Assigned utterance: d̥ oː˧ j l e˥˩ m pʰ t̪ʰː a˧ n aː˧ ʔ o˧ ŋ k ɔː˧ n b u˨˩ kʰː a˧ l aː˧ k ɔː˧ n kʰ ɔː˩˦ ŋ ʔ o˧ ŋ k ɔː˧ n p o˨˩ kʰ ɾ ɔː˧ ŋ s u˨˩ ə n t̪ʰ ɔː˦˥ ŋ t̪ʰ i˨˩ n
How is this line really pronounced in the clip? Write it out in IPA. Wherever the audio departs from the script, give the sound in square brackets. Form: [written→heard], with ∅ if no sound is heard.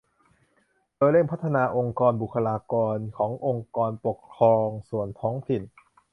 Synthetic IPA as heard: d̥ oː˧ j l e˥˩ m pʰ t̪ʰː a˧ n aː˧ ʔ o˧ ŋ k ɔː˧ n b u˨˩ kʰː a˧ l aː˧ k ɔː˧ n kʰ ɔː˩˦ ŋ ʔ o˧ ŋ k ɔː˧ n p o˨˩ kʰ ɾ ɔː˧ ŋ s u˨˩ ə n t̪ʰ ɔː˦˥ ŋ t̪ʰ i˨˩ n